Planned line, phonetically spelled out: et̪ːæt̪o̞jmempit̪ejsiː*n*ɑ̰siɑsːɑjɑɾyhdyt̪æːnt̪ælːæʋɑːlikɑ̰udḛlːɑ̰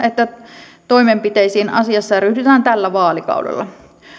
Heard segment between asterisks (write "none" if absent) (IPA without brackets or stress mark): n